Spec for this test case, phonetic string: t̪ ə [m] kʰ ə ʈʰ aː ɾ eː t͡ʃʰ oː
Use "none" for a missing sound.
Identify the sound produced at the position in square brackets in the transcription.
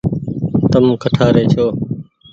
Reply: m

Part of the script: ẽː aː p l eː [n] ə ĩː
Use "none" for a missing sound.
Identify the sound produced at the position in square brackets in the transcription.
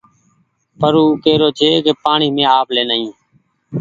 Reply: n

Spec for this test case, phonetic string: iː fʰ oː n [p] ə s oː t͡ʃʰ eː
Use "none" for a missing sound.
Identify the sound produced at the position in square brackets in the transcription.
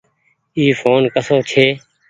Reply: k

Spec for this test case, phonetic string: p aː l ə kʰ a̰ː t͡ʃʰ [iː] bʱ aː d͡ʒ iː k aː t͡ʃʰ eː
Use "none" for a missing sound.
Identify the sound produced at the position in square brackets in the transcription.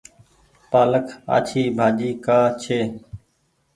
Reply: iː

